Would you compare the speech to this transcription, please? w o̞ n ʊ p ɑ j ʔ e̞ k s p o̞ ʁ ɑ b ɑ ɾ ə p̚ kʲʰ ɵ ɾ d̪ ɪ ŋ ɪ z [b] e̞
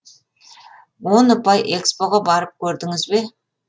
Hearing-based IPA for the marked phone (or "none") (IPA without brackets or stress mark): b